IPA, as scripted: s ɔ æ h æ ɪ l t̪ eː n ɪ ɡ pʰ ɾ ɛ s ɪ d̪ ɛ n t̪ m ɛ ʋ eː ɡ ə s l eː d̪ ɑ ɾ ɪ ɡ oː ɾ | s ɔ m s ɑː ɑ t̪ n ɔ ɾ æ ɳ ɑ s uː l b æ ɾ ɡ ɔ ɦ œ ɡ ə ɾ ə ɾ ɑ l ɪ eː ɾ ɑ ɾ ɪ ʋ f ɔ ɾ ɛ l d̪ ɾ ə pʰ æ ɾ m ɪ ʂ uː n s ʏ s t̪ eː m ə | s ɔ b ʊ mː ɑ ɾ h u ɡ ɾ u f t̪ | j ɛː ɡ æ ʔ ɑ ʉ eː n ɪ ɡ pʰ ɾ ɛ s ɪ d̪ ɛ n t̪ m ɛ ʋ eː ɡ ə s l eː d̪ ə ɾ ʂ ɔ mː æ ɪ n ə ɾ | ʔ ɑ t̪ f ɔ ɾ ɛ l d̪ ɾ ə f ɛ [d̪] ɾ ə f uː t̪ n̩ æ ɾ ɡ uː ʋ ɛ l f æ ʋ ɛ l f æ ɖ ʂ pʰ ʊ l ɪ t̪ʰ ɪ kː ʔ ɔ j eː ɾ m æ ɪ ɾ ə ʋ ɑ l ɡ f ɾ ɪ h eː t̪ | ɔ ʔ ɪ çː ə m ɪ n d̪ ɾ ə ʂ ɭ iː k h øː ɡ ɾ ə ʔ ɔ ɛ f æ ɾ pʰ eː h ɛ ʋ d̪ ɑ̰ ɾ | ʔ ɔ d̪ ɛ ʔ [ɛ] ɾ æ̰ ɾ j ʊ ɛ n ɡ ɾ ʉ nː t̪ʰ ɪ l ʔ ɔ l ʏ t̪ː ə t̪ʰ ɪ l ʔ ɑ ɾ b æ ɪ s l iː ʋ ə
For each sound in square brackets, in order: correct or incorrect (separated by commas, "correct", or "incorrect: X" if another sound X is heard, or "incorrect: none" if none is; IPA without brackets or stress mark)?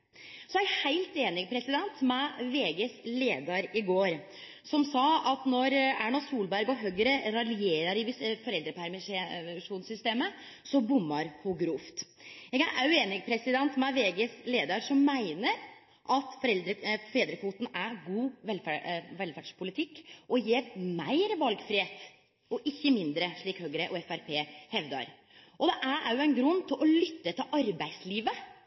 correct, incorrect: æ